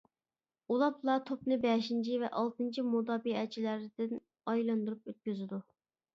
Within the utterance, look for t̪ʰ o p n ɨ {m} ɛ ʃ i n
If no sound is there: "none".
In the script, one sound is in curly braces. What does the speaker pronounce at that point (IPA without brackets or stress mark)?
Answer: b